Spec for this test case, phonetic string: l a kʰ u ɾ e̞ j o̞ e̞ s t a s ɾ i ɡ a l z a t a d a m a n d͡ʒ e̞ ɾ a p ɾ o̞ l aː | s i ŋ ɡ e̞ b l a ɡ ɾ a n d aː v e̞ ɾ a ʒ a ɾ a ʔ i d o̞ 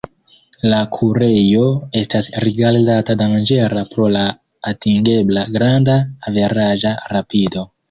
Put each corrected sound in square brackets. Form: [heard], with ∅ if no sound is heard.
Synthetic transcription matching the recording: l a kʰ u ɾ e̞ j o̞ e̞ s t a s ɾ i ɡ a l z a t a d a m a n d͡ʒ e̞ ɾ a p ɾ o̞ l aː | [t] i ŋ ɡ e̞ b l a ɡ ɾ a n d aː v e̞ ɾ a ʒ a ɾ a [p] i d o̞